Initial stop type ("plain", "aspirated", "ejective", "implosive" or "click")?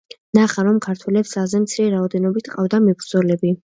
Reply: aspirated